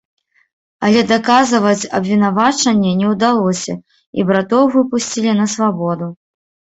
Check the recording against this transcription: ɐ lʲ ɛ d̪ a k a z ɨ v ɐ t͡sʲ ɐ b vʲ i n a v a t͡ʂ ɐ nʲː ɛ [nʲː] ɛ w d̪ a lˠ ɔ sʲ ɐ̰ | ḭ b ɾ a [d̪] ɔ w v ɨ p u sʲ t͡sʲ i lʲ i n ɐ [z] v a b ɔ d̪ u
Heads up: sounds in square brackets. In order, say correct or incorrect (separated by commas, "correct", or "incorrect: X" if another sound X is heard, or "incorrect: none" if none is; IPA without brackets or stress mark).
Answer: incorrect: nʲ, incorrect: t̪, incorrect: s